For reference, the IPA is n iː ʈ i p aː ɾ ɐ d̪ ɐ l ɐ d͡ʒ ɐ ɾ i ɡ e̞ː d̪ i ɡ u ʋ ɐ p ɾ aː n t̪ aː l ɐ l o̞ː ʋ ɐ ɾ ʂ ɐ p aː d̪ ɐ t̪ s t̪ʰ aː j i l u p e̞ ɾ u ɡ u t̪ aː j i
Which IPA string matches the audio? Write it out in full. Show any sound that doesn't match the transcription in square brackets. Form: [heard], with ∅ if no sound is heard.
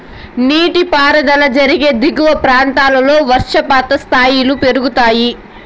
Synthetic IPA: n iː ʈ i p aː ɾ ɐ d̪ ɐ l ɐ d͡ʒ ɐ ɾ i ɡ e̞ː d̪ i ɡ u ʋ ɐ p ɾ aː n t̪ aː l ɐ l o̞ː ʋ ɐ ɾ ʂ ɐ p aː [t̪] ɐ [∅] s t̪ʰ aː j i l u p e̞ ɾ u ɡ u t̪ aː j i